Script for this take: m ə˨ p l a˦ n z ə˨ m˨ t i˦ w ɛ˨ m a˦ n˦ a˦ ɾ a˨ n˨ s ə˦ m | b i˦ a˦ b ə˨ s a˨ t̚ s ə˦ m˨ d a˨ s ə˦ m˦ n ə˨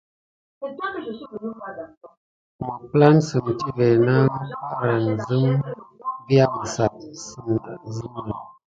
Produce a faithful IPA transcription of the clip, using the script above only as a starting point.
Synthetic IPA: m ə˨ p l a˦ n s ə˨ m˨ t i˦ v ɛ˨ n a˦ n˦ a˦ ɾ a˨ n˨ z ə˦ m | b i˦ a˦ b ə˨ s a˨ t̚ s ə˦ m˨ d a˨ z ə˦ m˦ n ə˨